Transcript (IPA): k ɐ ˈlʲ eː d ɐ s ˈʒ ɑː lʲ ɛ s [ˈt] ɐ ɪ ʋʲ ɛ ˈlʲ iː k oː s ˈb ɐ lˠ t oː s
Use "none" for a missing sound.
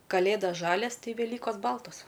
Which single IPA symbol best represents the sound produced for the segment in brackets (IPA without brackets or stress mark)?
t